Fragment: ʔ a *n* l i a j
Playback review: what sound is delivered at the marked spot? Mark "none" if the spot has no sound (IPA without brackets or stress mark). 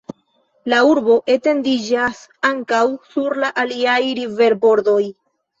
none